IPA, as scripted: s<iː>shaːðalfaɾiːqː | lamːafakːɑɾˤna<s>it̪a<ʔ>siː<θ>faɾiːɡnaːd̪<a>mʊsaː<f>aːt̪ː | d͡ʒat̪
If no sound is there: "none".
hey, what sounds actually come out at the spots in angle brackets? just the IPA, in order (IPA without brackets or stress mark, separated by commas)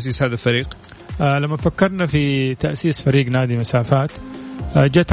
iː, f, ʔ, s, i, f